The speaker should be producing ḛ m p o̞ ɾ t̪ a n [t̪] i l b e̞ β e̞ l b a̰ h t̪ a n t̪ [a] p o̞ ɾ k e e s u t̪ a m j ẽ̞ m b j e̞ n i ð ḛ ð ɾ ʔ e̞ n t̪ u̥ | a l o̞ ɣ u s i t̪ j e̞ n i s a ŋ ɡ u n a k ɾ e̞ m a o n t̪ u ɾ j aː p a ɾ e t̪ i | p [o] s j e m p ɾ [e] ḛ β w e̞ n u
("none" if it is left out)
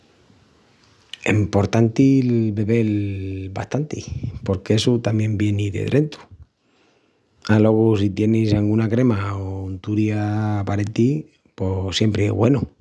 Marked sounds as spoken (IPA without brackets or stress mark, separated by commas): t̪, i, o, e